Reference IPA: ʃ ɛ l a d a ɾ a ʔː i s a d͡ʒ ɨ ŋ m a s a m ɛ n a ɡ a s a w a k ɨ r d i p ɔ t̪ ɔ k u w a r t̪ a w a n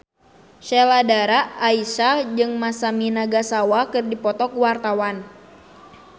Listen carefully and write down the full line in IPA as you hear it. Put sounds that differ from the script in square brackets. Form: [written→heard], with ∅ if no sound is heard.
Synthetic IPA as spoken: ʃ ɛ l a d a ɾ a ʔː i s a d͡ʒ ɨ ŋ m a s a m [ɛ→i] n a ɡ a s a w a k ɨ r d i p ɔ t̪ ɔ k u w a r t̪ a w a n